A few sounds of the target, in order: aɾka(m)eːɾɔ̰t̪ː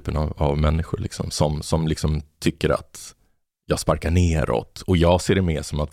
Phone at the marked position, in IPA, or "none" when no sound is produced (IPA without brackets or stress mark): ɳ